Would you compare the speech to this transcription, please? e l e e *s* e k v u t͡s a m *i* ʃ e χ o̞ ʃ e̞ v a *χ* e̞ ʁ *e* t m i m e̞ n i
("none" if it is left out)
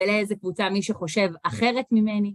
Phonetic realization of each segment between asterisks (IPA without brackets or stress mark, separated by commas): z, i, χ, e